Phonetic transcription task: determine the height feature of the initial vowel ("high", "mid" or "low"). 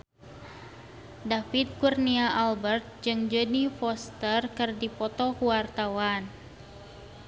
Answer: low